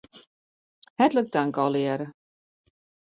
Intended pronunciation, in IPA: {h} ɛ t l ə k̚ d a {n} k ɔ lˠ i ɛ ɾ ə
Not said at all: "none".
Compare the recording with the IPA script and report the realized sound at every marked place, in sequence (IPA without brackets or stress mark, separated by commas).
h, ŋ